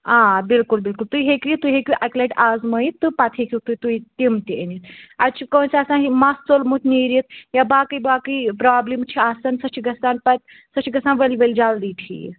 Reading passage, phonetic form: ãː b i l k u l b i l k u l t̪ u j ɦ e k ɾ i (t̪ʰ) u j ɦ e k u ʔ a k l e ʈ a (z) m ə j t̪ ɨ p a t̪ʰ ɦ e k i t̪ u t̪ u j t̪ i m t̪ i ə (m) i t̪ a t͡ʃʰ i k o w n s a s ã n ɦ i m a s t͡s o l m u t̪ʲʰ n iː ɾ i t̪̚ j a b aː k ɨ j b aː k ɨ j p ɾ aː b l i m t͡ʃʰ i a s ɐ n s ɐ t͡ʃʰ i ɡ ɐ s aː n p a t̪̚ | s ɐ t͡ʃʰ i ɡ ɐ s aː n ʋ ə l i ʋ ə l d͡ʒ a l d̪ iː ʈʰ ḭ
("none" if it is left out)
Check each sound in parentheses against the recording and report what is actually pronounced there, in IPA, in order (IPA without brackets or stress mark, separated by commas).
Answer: t̪, z, n